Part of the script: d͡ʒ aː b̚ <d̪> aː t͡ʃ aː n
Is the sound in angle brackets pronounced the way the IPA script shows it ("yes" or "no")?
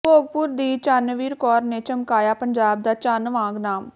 yes